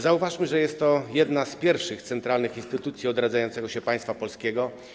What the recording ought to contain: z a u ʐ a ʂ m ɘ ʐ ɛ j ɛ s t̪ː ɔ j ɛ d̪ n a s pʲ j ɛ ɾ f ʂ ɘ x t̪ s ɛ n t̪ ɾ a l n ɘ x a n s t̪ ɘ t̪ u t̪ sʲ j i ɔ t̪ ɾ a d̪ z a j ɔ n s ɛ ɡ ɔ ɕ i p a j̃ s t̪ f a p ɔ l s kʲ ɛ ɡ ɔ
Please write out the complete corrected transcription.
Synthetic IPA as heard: z a u v a ʂ m ɘ ʐ ɛ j ɛ s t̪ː ɔ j ɛ d̪ n a s pʲ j ɛ ɾ f ʂ ɘ x t̪ s ɛ n t̪ ɾ a l n ɘ x i n s t̪ ɘ t̪ u t̪ sʲ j i ɔ d̪ ɾ a d̪ z a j ɔ n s ɛ ɡ ɔ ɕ ɛ p a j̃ s t̪ f a p ɔ l s kʲ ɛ ɡ ɔ